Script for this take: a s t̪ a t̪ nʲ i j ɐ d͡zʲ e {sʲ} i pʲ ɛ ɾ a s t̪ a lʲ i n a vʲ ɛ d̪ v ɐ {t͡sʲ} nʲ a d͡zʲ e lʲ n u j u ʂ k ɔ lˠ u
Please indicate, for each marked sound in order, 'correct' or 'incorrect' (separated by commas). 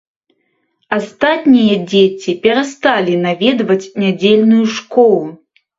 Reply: incorrect, correct